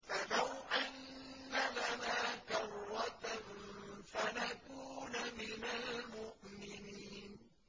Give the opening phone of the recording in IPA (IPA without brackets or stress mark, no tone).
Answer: f